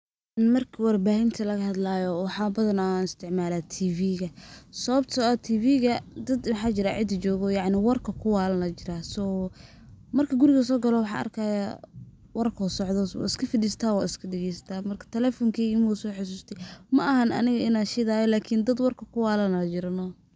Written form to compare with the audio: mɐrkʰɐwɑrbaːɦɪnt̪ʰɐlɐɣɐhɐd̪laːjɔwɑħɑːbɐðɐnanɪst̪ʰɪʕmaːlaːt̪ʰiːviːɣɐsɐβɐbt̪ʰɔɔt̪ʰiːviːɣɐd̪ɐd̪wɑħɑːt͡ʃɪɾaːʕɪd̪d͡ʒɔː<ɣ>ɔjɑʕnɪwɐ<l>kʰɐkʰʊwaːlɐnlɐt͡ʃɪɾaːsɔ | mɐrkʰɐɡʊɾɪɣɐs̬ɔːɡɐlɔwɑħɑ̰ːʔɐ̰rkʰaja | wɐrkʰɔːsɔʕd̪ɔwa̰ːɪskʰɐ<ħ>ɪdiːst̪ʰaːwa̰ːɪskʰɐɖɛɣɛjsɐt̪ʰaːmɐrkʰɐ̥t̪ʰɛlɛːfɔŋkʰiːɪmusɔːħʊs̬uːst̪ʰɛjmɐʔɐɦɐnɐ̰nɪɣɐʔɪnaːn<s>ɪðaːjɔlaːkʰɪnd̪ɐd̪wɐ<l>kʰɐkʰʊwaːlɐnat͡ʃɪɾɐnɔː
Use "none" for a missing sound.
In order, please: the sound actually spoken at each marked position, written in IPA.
ɣ, r, f, ʃ, r

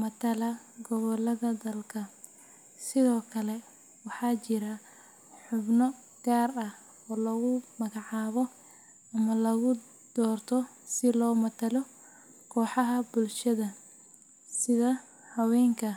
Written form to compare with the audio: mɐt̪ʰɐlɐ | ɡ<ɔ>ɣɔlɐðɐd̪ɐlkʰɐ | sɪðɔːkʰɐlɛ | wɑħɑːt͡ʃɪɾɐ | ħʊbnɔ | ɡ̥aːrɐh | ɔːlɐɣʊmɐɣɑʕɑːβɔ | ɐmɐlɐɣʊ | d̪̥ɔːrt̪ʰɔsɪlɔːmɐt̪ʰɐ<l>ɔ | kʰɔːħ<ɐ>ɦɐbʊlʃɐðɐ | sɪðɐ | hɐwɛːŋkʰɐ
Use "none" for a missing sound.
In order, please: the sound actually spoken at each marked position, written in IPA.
ɔ, l, ɑ

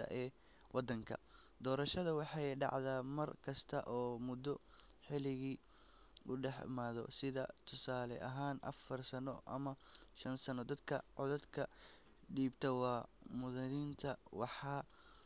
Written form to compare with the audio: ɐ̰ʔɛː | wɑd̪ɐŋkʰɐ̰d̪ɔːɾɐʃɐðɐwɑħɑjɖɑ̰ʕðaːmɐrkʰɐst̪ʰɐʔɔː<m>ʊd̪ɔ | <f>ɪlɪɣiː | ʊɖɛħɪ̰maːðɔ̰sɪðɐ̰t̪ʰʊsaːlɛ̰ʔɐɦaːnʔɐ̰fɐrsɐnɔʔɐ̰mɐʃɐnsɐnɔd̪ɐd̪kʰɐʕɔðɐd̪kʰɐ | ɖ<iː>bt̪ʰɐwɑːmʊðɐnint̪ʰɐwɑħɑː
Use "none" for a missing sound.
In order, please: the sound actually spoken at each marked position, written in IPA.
m, ħ, iː

